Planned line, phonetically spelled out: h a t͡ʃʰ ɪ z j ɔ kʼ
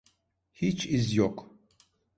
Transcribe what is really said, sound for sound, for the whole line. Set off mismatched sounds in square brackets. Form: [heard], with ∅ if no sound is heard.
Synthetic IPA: h [i] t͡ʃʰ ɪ z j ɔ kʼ